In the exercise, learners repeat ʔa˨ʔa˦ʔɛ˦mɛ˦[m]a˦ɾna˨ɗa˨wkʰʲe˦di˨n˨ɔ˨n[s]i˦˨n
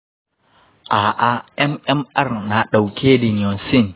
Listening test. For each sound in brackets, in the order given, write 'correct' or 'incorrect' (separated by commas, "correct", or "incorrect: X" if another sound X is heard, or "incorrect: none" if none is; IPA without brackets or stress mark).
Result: correct, correct